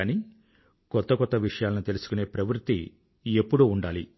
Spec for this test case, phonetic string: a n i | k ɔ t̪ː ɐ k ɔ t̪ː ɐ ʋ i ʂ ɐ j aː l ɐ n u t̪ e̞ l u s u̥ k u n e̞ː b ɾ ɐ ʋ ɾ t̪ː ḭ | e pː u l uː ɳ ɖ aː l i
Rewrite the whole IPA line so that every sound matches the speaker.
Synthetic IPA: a n i | k ɔ t̪ː ɐ k ɔ t̪ː ɐ ʋ i ʂ ɐ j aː l ɐ n u t̪ e̞ l u s u̥ k u n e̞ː p ɾ ɐ ʋ ɾ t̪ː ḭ | e pː u ɽ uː ɳ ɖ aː l i